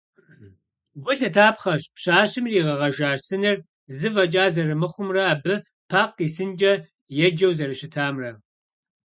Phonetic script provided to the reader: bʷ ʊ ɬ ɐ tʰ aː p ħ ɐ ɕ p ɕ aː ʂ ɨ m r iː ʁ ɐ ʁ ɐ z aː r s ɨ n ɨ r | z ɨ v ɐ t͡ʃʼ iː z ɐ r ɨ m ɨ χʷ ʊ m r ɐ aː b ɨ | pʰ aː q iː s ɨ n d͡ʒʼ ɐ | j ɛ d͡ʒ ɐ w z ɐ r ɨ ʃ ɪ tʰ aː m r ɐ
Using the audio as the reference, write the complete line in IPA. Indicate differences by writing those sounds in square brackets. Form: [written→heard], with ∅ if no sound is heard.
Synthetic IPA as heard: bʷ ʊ ɬ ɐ tʰ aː p [ħ→χ] ɐ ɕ p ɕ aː [ʂ→ɕ] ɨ m r iː ʁ ɐ ʁ ɐ [z→ʒ] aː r s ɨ n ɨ r | z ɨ v ɐ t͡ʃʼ [iː→aː] z ɐ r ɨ m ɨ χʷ ʊ m r ɐ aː b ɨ | pʰ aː q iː s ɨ n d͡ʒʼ ɐ | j ɛ d͡ʒ ɐ w z ɐ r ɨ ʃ ɪ tʰ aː m r ɐ